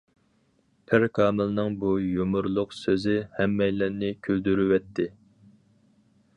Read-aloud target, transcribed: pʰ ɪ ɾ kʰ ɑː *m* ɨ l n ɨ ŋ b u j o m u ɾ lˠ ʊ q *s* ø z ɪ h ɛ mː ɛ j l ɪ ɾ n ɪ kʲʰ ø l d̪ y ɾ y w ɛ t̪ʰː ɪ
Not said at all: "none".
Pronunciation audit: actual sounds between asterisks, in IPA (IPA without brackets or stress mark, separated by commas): m, s